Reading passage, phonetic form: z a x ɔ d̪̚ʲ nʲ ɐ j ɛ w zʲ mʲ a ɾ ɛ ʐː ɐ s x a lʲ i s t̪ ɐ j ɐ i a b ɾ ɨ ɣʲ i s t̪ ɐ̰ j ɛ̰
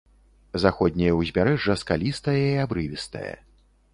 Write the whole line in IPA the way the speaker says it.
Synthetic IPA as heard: z a x ɔ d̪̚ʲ nʲ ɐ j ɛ w zʲ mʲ a ɾ ɛ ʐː ɐ s k a lʲ i s t̪ ɐ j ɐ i a b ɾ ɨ vʲ i s t̪ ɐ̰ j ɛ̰